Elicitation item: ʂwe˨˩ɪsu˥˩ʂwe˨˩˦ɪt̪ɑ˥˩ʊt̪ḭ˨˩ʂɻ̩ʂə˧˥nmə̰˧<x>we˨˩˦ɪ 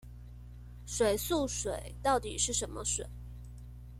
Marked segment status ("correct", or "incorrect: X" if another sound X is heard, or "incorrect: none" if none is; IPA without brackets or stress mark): incorrect: ʂ